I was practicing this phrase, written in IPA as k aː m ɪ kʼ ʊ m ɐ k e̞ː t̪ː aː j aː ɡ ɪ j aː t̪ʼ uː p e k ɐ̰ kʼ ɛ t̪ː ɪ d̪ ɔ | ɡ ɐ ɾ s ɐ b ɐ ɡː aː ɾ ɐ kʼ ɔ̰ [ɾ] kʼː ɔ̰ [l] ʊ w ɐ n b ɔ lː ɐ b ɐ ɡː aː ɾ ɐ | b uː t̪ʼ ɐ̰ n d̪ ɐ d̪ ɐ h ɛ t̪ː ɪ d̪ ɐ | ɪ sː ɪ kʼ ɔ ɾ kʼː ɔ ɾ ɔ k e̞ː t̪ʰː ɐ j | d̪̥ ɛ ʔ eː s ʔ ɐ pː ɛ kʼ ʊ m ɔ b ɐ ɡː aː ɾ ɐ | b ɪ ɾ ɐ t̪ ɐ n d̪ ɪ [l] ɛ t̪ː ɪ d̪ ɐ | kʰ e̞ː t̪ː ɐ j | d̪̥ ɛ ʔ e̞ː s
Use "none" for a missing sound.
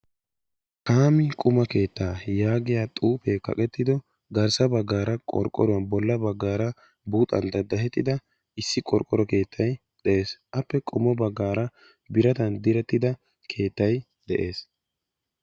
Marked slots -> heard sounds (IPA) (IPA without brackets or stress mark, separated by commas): ɾ, ɾ, ɾ